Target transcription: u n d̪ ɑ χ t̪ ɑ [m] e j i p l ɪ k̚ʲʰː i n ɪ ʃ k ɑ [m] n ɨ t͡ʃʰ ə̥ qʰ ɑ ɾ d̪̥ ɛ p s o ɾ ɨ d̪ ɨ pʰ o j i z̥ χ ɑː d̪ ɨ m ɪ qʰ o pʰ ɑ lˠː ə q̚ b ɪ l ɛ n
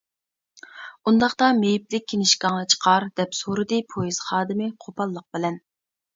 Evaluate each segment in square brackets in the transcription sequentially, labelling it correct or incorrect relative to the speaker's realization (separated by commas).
correct, incorrect